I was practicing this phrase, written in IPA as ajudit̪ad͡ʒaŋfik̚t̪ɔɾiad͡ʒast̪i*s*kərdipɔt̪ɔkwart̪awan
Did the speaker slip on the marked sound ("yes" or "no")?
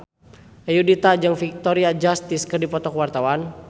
no